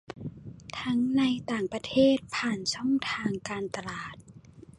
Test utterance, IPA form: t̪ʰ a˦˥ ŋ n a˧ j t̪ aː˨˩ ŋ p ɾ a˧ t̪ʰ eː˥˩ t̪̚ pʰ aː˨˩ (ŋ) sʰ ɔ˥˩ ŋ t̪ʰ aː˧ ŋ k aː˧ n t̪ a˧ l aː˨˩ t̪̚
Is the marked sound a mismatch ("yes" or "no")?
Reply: yes